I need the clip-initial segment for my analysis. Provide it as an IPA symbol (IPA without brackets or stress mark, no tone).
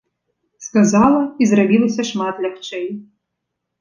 s